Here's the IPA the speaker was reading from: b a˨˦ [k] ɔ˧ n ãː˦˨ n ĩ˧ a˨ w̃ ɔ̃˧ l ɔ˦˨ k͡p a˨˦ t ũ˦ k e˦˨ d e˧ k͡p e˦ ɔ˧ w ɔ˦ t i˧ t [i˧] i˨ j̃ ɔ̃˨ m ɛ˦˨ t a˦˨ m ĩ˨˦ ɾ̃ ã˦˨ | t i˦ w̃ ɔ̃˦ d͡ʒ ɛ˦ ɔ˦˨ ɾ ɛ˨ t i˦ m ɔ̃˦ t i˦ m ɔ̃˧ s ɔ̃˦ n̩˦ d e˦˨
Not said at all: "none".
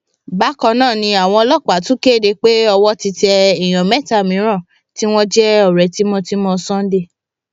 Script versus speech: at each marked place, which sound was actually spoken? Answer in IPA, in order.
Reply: k, ɛ˧

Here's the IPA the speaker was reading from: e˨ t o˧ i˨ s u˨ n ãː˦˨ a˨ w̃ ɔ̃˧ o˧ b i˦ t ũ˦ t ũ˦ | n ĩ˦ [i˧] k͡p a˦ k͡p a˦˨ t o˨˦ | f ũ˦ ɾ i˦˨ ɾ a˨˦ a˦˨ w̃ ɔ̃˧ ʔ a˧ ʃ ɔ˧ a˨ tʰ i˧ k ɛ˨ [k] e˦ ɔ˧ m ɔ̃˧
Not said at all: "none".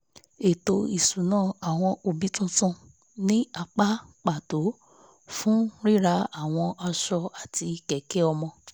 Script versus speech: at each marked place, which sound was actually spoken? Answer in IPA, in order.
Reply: a˧, k

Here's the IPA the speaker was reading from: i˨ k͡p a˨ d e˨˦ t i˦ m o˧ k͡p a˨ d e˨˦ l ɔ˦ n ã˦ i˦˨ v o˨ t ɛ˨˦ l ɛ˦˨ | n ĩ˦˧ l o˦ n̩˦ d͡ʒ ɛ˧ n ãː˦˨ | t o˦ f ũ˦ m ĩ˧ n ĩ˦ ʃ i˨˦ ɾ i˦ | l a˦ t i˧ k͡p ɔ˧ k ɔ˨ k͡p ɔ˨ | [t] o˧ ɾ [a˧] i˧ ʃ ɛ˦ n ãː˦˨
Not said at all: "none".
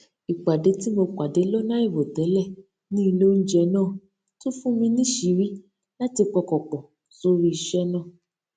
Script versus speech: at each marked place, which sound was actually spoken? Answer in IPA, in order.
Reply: s, i˧

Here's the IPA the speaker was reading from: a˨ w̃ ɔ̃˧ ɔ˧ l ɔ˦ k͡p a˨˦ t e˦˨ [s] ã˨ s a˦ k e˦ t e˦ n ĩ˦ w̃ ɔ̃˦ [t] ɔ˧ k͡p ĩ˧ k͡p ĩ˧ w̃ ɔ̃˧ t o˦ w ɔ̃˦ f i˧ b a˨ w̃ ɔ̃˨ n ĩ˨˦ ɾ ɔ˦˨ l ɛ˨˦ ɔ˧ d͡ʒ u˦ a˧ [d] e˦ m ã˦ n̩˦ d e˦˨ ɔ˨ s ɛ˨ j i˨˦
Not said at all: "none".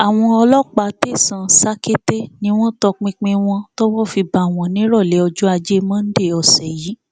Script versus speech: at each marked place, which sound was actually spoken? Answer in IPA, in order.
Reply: s, t, d͡ʒ

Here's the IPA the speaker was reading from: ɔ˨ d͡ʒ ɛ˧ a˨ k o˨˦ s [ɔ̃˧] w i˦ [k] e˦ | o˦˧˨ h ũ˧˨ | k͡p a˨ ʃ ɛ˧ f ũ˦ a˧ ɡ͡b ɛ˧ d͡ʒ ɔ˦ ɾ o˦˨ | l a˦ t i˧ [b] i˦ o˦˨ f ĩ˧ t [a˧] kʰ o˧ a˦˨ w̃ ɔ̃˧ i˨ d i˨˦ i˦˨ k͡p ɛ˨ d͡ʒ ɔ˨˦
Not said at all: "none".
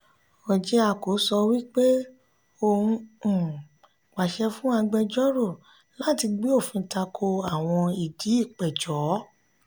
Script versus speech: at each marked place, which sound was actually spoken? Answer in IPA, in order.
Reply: ɔ˧, k͡p, ɡ͡b, a˧

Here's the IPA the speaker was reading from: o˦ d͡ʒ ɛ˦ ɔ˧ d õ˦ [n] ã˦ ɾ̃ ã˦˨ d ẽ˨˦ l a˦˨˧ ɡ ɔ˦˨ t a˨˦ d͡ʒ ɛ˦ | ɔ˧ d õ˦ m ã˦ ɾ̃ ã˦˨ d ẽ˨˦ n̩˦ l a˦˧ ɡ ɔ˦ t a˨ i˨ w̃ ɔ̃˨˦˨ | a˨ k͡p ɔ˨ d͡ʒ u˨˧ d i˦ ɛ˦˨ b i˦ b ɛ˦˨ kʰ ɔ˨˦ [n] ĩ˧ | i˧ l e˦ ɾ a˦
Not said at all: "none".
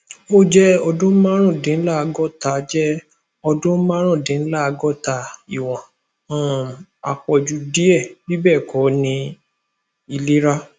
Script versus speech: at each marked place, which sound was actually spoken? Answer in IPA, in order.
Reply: m, n

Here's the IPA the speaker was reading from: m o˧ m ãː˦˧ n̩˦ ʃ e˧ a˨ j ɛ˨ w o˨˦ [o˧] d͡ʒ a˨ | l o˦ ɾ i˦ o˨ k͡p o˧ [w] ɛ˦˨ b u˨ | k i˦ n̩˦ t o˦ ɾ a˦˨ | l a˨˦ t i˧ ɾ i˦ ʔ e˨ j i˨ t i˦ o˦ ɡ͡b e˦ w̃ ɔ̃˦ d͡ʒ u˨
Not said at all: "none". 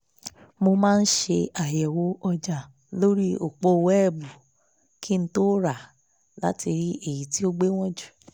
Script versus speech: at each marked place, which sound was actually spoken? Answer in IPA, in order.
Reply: ɔ˧, w

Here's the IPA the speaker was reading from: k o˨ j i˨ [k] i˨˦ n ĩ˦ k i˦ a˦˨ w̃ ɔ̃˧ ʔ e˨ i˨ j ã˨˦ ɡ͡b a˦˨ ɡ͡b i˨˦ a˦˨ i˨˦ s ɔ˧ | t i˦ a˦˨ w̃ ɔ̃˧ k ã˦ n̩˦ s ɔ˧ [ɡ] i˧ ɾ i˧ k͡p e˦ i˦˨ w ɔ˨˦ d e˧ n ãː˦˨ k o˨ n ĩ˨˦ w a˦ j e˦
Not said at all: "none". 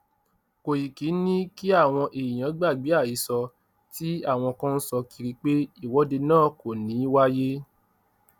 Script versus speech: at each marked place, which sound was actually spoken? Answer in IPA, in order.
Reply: k, k

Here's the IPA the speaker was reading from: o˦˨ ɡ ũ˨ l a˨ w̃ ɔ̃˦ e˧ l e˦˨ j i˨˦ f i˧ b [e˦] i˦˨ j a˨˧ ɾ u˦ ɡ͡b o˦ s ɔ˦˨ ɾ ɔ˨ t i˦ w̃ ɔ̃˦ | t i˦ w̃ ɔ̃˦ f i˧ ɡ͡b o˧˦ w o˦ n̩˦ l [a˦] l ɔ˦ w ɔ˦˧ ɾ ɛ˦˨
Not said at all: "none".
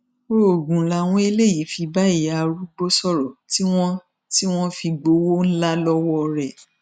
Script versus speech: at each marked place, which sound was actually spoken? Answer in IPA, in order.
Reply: a˦, a˦

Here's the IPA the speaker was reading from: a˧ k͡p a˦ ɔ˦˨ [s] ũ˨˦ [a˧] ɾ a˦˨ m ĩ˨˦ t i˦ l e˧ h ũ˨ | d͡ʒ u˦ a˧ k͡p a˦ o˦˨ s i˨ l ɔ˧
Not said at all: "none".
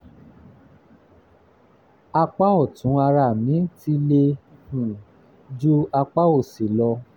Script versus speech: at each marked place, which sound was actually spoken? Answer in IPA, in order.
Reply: t, a˧

